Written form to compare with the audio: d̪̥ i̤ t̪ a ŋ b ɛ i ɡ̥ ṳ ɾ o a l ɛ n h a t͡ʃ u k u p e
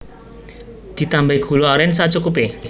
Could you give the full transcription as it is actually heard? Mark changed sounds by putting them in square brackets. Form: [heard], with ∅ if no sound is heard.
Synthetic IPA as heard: d̪̥ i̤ t̪ a [m] b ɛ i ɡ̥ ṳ [l] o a [ɾ] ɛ n [s] a t͡ʃ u k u p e